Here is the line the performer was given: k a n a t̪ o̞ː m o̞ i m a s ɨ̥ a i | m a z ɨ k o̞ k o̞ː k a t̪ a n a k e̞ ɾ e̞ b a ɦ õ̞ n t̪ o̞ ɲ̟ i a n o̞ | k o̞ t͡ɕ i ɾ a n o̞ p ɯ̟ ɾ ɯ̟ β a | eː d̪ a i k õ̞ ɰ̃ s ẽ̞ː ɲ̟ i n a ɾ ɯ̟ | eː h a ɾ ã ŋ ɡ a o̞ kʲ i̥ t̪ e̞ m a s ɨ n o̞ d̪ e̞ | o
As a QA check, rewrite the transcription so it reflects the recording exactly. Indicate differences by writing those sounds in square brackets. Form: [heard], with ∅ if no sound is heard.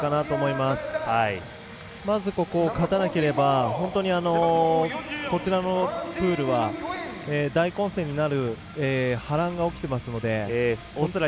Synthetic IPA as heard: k a n a t̪ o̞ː m o̞ i m a s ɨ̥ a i | m a z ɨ k o̞ k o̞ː k a t̪ a n a k e̞ ɾ e̞ b a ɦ õ̞ n t̪ o̞ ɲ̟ i a n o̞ | k o̞ t͡ɕ i ɾ a n o̞ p [ɯ̟ː] ɾ ɯ̟ β a | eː d̪ a i k õ̞ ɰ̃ s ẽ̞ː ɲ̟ i n a ɾ ɯ̟ | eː h a ɾ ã ŋ ɡ a o̞ kʲ i̥ t̪ e̞ m a s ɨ n o̞ d̪ e̞ | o